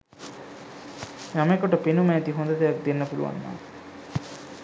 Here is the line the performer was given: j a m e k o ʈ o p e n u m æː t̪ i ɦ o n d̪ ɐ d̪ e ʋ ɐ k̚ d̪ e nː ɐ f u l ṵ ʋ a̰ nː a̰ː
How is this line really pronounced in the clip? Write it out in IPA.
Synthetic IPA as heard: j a m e k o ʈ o p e n u m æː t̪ i ɦ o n d̪ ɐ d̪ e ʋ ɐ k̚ d̪ e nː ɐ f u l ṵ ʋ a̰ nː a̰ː